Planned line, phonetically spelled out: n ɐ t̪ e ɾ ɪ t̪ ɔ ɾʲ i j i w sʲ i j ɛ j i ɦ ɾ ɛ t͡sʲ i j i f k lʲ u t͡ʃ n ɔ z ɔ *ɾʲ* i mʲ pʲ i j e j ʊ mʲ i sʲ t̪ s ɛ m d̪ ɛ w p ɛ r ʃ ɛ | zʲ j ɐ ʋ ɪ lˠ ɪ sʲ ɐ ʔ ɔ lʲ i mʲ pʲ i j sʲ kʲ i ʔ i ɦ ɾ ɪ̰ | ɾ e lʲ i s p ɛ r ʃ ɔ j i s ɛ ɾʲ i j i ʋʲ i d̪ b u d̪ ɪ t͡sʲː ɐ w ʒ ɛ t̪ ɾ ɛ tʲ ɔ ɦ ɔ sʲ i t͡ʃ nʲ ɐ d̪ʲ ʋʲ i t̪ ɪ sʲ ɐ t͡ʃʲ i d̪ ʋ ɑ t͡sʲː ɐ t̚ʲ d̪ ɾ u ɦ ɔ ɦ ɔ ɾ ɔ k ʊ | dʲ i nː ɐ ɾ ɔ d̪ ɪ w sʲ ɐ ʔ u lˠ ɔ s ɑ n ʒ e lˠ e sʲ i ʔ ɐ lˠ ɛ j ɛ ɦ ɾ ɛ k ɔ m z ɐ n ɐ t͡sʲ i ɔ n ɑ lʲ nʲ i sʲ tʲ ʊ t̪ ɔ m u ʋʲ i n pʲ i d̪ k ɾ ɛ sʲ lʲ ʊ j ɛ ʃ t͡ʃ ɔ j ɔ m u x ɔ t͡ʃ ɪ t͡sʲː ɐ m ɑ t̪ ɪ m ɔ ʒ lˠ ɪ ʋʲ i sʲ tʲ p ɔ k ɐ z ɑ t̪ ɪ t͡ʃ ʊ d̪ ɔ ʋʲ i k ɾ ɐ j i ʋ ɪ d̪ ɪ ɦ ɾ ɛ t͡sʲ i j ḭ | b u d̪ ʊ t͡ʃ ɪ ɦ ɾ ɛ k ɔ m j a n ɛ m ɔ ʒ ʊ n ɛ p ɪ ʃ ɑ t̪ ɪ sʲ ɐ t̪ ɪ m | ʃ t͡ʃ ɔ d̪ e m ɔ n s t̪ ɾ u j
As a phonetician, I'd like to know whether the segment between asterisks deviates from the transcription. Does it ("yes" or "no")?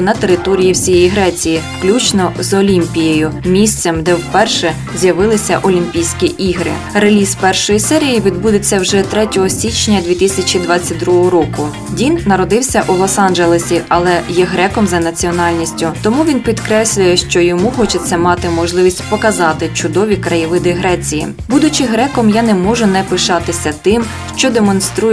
yes